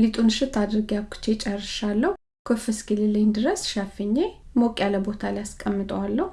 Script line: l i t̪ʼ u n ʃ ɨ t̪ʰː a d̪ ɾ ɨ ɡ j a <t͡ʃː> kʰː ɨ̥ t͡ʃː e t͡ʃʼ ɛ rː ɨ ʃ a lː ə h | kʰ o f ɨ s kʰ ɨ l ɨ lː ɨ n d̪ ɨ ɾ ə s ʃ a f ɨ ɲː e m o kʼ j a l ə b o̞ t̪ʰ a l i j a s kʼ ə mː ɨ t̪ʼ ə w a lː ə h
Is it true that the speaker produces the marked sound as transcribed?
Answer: no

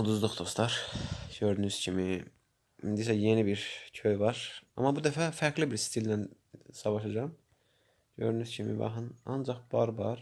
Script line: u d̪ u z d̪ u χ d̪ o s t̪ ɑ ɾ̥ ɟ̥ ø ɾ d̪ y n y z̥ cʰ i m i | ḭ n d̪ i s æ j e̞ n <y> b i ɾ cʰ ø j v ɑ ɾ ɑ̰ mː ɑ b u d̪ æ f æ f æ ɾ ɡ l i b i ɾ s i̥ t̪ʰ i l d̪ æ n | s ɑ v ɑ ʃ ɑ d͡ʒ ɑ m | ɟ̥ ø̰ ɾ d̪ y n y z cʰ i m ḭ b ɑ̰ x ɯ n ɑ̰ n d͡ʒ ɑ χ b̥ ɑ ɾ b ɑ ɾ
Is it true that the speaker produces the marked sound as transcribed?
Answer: no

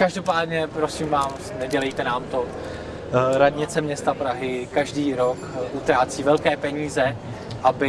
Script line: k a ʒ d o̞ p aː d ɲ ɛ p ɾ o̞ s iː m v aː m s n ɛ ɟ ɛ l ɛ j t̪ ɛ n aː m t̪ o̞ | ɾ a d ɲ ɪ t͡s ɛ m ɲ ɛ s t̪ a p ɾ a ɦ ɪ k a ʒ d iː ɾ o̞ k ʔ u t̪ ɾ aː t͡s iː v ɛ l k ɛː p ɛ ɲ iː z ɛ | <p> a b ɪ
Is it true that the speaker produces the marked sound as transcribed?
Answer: no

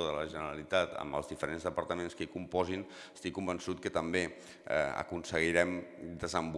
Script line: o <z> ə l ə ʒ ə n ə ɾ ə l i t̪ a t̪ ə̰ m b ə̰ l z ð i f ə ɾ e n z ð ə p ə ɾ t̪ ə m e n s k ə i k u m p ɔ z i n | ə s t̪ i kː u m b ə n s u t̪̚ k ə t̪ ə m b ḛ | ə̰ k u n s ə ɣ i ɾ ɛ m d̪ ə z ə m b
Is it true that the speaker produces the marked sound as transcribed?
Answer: no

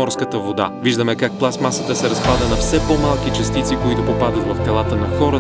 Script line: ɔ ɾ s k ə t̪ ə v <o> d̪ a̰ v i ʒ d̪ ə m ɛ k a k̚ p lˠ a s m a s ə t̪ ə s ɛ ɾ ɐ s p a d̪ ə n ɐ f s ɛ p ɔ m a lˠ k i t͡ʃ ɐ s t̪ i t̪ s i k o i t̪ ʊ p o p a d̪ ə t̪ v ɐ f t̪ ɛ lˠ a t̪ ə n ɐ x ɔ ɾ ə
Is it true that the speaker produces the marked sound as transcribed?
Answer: yes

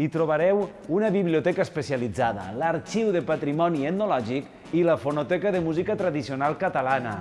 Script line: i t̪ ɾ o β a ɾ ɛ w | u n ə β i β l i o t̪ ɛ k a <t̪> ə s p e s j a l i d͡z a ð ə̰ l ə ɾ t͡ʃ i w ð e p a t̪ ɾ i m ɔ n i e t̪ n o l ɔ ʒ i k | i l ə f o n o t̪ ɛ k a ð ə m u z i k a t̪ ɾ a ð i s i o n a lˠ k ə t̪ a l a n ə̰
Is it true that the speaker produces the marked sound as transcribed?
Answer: no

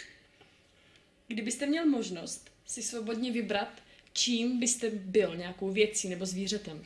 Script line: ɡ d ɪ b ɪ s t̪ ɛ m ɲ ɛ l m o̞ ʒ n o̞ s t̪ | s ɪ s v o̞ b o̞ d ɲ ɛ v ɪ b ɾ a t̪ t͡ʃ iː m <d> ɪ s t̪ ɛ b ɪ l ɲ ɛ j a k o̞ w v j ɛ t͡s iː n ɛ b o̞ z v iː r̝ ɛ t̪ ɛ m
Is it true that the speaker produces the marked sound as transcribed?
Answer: no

